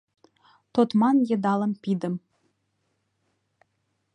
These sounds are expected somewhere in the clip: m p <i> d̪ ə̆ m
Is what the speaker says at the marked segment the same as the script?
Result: yes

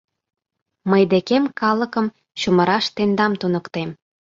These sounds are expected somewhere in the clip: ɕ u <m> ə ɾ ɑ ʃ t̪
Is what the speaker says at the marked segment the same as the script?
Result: yes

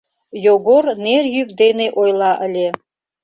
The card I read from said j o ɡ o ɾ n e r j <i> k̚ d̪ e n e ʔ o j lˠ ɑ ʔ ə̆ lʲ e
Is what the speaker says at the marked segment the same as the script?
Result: no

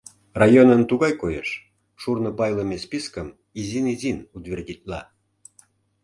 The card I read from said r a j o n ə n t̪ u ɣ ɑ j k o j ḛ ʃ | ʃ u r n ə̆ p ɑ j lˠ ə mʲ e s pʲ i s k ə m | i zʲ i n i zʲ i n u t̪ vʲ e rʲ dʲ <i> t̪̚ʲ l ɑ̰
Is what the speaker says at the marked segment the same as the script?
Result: yes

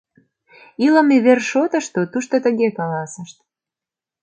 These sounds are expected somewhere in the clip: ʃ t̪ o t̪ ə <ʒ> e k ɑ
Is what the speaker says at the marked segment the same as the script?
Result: no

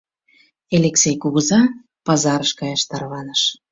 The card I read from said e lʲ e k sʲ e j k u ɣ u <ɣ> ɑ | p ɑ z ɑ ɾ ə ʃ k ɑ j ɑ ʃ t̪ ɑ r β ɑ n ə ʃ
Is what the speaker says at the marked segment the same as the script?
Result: no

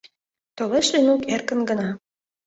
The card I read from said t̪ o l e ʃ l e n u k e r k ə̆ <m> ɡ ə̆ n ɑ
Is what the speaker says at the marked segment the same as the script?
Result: no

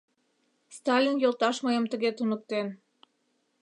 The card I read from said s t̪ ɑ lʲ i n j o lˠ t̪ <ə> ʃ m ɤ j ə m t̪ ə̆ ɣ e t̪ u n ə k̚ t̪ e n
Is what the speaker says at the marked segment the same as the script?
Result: no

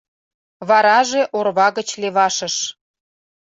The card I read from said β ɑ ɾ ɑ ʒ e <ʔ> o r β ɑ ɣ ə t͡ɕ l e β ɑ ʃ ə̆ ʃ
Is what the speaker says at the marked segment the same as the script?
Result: yes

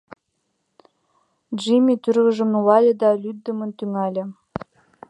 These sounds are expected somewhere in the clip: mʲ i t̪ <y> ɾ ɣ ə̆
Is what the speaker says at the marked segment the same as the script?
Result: yes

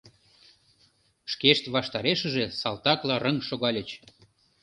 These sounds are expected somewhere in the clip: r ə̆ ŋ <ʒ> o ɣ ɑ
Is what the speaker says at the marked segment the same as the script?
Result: no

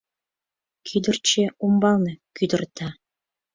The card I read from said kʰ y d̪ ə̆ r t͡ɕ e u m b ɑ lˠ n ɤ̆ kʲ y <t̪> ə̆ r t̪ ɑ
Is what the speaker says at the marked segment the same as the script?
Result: no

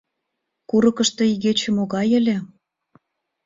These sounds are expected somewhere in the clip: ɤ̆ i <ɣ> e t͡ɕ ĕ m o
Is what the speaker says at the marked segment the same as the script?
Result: yes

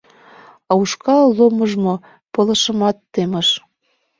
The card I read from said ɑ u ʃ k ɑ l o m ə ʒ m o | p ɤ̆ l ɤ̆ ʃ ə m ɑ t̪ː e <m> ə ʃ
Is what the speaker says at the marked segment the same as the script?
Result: yes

